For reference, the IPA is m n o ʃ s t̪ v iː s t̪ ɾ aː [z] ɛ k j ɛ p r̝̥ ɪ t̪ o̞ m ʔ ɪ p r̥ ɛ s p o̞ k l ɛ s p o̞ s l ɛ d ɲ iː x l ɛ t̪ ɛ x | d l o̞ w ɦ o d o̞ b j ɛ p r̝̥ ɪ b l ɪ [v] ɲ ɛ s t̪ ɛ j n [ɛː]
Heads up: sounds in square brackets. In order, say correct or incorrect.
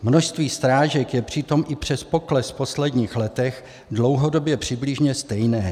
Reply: incorrect: ʒ, incorrect: ʒ, correct

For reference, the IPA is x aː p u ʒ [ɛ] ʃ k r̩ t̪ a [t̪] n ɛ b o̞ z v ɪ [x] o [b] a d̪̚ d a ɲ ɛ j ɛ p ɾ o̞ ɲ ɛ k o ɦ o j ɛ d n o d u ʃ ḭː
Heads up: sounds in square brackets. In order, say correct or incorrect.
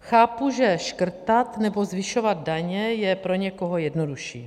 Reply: correct, correct, incorrect: ʃ, incorrect: v

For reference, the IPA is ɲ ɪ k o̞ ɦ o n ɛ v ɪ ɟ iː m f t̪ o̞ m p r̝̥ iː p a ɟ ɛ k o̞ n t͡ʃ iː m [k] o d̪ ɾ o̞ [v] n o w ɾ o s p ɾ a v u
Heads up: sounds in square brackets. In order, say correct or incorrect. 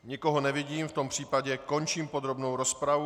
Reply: incorrect: p, incorrect: b

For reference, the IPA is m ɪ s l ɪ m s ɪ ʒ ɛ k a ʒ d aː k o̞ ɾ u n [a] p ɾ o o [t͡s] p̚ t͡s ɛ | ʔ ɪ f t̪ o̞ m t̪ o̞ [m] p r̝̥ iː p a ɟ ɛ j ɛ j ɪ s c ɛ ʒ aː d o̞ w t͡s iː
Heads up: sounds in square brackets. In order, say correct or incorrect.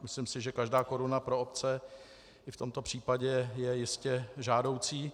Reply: correct, incorrect: none, incorrect: none

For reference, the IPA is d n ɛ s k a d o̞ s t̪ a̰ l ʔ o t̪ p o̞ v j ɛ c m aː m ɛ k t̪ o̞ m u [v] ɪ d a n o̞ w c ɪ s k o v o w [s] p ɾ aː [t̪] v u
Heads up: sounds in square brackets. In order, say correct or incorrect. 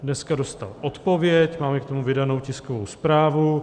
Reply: correct, correct, incorrect: none

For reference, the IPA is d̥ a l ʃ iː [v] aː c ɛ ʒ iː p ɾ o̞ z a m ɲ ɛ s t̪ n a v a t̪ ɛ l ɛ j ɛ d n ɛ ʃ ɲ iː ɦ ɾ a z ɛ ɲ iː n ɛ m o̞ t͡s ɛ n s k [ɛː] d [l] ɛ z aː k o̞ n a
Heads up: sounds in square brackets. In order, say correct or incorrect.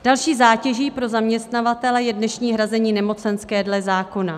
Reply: incorrect: z, correct, correct

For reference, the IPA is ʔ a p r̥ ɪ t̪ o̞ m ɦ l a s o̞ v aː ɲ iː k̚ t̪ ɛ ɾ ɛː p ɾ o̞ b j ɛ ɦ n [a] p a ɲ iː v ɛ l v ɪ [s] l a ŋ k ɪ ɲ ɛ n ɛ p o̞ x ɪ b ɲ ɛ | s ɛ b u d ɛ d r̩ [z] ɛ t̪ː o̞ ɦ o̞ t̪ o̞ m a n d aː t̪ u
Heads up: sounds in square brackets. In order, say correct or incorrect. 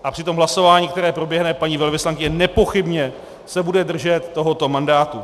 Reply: incorrect: ɛ, correct, incorrect: ʒ

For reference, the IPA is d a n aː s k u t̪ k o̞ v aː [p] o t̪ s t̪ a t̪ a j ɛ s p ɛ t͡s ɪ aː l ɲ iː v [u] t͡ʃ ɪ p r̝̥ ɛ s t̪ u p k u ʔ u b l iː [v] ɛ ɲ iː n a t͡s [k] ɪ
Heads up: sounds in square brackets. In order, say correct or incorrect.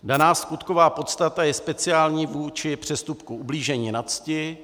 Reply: correct, incorrect: uː, incorrect: ʒ, incorrect: c

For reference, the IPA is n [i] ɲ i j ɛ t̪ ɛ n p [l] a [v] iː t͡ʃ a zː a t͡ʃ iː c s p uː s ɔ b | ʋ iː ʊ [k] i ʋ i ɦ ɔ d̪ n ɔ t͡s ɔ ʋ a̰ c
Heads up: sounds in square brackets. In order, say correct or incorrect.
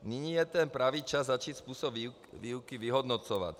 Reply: correct, incorrect: ɾ, incorrect: ʋ, correct

